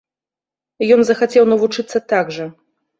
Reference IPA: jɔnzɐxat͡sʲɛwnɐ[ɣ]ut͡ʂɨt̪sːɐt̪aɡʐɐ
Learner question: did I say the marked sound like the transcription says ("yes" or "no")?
no